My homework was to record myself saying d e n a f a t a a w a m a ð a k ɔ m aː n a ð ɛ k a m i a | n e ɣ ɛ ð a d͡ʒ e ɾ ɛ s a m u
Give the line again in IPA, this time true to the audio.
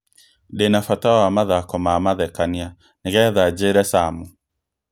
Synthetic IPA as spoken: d e n a f a t a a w a m a ð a k ɔ m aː m a ð ɛ k a n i a | n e ɣ ɛ ð a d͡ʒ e ɾ ɛ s a m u